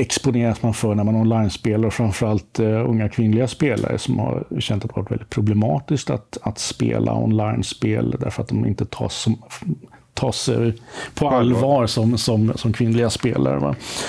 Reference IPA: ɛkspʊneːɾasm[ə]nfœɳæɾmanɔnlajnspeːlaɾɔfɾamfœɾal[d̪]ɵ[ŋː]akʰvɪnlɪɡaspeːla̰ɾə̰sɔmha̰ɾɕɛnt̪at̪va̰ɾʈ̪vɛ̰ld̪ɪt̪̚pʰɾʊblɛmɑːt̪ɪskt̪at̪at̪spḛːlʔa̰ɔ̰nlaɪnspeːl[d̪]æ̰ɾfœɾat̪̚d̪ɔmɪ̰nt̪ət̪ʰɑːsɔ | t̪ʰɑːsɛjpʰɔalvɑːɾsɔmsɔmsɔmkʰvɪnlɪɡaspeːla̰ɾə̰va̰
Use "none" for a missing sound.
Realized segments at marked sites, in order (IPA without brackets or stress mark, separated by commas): a, t̪, ŋː, d̪